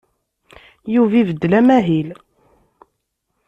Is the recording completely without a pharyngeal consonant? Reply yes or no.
yes